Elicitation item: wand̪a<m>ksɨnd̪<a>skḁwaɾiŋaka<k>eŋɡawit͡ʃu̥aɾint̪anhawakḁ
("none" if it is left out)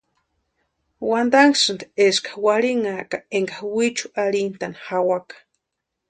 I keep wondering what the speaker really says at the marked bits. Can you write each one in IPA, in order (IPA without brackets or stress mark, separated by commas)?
ŋ, e, none